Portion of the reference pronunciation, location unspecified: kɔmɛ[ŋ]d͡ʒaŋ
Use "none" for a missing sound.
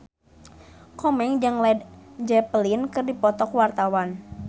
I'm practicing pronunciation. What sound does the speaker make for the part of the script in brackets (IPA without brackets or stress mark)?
ŋ